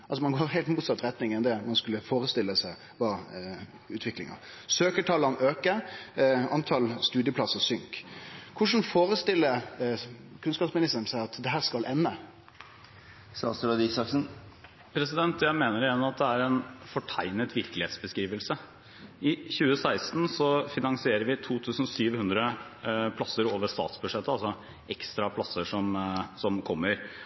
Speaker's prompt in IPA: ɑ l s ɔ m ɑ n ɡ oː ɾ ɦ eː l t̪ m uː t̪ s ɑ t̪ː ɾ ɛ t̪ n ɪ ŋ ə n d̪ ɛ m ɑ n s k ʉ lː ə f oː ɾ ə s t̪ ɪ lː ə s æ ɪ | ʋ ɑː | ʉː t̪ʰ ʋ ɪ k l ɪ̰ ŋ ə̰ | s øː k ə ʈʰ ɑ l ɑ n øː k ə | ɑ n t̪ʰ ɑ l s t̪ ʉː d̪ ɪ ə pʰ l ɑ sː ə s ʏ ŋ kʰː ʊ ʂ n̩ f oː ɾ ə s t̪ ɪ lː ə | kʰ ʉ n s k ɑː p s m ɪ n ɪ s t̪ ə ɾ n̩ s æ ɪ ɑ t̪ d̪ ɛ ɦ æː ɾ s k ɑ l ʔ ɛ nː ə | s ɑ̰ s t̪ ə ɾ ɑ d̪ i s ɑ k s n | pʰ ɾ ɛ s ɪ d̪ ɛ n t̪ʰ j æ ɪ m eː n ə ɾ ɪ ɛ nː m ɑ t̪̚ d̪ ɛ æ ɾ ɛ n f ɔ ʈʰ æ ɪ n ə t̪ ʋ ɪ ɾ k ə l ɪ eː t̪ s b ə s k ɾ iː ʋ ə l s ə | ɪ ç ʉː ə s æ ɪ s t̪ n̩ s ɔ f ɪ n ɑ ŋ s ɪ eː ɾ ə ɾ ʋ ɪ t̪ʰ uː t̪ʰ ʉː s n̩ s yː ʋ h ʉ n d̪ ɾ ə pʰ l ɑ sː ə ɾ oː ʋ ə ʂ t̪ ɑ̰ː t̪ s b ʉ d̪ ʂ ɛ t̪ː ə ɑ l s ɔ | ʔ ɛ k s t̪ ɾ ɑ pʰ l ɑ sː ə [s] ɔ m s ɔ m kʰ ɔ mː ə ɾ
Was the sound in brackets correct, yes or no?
no